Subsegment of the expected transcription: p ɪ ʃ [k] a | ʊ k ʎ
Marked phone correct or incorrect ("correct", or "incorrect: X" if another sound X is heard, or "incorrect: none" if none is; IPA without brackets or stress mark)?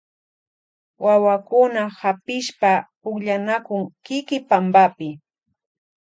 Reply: incorrect: p